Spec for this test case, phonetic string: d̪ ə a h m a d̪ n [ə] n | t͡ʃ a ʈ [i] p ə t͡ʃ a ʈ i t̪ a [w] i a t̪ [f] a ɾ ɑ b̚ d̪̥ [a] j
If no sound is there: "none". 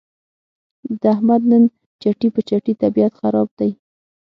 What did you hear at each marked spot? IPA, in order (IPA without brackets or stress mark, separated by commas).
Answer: ə, i, b, x, a